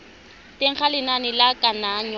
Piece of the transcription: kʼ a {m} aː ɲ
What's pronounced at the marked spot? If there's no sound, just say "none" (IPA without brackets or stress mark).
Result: n